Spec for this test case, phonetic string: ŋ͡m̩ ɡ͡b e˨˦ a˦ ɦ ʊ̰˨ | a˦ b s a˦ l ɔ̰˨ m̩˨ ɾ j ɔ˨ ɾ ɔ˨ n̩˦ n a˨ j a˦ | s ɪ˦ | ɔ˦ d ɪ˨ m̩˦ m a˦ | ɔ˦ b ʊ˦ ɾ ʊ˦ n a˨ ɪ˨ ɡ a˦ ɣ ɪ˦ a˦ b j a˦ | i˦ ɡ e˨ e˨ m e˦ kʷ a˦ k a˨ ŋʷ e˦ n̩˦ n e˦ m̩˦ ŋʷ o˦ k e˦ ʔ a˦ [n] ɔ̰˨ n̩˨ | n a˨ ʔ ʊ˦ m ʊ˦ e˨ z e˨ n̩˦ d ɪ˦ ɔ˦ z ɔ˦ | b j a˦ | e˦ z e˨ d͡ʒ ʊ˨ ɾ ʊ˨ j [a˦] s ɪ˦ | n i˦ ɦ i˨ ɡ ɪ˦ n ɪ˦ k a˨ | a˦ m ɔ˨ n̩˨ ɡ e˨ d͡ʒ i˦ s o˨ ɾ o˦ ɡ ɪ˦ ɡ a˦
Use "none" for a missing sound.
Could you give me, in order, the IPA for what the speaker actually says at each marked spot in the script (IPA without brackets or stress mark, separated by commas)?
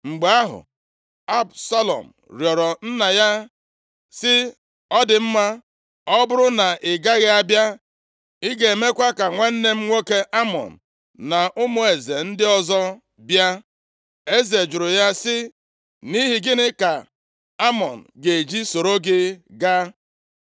m, a˦